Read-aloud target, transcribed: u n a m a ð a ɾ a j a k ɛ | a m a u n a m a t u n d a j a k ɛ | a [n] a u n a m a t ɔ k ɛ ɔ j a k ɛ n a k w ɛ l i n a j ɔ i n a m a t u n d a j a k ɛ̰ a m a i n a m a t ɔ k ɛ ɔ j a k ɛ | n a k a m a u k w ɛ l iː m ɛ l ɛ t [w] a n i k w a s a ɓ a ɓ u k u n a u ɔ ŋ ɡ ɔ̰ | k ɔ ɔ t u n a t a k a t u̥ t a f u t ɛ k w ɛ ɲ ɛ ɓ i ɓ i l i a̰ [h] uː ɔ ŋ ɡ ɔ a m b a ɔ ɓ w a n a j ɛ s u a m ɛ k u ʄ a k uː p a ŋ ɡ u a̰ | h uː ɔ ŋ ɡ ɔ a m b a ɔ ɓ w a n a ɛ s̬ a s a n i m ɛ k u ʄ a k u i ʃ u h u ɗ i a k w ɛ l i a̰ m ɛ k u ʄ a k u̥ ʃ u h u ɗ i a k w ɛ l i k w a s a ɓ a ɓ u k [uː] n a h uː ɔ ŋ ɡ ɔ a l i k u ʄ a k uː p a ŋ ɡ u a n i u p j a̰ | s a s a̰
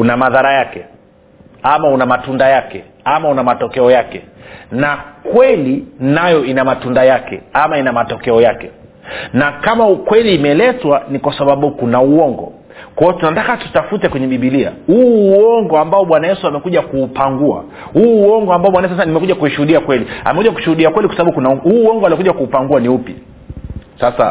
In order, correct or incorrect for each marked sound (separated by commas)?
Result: incorrect, correct, correct, incorrect